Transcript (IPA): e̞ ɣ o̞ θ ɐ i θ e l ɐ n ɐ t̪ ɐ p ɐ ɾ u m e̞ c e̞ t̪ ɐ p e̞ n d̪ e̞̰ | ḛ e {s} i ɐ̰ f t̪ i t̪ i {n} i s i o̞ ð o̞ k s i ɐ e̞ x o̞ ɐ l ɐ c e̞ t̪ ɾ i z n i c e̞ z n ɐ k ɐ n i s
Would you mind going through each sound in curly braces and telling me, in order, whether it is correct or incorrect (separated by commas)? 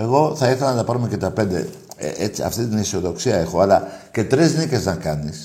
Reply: incorrect, correct